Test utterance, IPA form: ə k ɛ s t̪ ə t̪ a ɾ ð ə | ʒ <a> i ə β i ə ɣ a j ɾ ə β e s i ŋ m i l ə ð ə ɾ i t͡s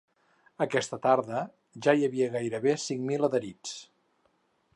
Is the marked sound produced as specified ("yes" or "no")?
yes